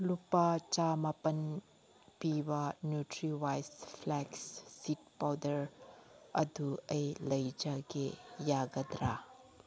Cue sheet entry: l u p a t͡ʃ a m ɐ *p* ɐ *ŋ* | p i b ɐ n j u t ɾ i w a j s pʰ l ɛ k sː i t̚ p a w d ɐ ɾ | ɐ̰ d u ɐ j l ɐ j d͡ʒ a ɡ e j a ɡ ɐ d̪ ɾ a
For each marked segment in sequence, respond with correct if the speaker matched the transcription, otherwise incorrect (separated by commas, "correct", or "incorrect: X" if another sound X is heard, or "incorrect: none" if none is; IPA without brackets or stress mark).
correct, incorrect: n